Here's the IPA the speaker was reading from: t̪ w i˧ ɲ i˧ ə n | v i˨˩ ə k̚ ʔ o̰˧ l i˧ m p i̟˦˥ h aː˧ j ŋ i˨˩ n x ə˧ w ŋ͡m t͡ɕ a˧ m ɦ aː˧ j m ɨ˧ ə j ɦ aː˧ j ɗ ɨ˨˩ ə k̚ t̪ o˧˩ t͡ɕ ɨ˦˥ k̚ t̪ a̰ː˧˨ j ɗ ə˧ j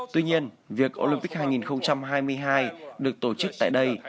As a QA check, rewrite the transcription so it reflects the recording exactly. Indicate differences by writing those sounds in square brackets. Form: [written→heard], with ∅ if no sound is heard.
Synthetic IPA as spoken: t̪ w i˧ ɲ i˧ ə n | v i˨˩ ə k̚ ʔ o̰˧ l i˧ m p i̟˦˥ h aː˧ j ŋ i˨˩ n x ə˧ w ŋ͡m t͡ɕ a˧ m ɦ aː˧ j m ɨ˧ ə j ɦ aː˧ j ɗ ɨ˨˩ ə k̚ t̪ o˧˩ t͡ɕ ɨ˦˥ k̚ t̪ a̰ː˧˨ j ɗ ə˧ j

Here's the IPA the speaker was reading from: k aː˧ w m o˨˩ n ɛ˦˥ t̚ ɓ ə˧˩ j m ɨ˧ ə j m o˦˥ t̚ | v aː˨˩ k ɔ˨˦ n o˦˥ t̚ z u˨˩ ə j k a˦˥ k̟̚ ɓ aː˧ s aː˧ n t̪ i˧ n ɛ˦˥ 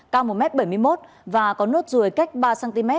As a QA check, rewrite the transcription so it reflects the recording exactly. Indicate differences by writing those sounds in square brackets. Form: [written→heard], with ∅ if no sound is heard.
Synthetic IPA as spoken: k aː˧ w m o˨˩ [n→m] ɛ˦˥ t̚ ɓ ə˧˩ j m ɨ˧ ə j m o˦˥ t̚ | v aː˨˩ k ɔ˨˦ n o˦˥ t̚ z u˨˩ ə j k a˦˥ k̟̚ ɓ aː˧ s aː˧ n t̪ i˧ [n→m] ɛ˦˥

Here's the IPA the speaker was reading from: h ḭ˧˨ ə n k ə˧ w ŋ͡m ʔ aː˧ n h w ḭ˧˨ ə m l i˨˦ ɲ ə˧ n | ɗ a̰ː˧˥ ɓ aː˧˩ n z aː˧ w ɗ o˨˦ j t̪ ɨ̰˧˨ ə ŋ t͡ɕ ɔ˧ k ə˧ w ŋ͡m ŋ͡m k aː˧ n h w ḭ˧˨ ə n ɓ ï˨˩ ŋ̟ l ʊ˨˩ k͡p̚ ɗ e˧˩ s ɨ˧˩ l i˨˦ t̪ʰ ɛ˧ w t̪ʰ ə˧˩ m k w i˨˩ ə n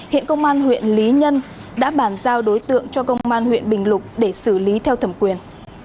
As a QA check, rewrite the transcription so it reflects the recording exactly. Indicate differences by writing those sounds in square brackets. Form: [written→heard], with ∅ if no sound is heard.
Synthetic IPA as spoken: h ḭ˧˨ ə n k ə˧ w ŋ͡m ʔ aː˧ n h w ḭ˧˨ ə [m→n] l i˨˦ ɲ ə˧ n | ɗ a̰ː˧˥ ɓ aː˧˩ n z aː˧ w ɗ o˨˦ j t̪ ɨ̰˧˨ ə ŋ t͡ɕ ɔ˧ k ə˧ w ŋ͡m ŋ͡m [k→ʔ] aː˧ n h w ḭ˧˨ ə n ɓ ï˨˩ ŋ̟ l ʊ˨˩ k͡p̚ ɗ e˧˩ s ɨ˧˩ l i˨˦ t̪ʰ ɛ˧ w t̪ʰ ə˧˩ m k w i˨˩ ə n

